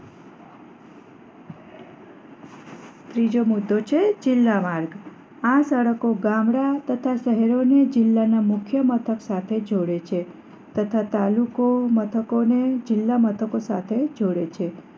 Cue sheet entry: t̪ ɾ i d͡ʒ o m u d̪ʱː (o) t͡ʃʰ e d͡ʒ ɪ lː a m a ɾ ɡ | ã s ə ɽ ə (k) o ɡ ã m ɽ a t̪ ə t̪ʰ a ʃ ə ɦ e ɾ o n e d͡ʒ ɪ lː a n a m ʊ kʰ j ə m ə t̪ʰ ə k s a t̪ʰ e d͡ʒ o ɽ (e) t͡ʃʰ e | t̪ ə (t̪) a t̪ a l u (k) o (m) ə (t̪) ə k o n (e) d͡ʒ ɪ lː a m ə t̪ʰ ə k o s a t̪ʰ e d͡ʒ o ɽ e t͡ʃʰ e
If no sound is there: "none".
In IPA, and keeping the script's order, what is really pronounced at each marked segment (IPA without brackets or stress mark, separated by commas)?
o, k, e, t̪ʰ, k, m, t̪ʰ, e